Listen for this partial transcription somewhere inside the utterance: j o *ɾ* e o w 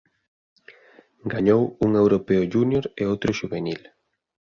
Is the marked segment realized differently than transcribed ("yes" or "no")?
no